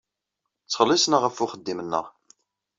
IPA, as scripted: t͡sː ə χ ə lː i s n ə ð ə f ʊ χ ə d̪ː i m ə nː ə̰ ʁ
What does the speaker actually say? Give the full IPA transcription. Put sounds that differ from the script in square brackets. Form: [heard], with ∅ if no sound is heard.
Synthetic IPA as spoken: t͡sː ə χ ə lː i s n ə [ʁ] ə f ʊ χ ə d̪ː i m ə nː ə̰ ʁ